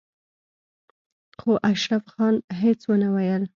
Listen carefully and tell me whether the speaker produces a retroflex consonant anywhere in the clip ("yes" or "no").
no